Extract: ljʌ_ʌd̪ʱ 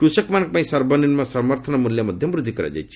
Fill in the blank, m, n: m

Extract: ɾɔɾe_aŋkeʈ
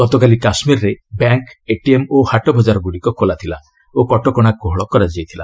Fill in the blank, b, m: b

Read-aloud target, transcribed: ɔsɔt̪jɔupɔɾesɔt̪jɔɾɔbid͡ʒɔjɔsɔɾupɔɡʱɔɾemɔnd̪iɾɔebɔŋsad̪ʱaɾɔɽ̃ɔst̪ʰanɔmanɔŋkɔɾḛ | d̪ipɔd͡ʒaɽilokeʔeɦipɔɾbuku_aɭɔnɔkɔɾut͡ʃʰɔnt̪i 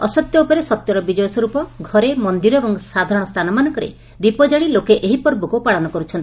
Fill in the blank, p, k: p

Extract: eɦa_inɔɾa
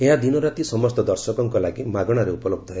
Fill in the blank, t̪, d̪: d̪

